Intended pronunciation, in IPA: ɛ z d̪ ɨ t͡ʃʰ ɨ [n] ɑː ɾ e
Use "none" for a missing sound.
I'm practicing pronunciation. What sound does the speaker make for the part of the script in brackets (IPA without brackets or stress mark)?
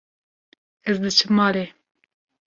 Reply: m